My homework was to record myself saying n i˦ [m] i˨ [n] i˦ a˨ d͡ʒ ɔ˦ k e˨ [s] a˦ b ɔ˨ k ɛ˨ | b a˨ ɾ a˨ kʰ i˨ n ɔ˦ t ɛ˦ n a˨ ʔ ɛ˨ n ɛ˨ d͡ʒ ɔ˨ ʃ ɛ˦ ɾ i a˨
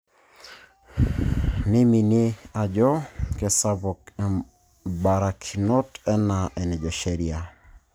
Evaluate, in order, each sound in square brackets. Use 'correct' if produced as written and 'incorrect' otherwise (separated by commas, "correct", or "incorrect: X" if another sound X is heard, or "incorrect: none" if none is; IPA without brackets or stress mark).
correct, correct, correct